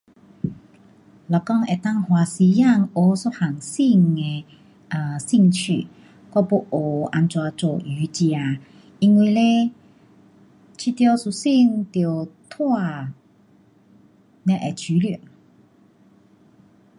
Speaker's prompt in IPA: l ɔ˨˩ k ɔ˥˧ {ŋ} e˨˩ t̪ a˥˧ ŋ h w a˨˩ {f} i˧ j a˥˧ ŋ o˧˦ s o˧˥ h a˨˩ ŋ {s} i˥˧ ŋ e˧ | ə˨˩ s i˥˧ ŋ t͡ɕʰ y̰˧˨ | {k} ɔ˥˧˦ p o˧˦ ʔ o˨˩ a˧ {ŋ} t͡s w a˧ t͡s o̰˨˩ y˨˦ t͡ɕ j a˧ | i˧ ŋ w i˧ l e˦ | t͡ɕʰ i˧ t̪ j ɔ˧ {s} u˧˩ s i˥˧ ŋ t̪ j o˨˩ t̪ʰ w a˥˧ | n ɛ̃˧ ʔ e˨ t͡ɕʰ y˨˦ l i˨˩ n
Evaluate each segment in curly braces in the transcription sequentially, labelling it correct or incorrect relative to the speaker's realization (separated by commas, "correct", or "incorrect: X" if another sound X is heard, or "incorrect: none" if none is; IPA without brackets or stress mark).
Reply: correct, incorrect: s, correct, correct, incorrect: n, correct